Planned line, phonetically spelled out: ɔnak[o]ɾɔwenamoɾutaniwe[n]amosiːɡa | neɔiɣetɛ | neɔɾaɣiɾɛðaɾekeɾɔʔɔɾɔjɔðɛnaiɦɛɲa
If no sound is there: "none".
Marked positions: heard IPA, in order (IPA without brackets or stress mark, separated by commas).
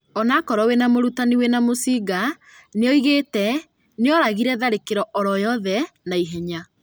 ɔ, n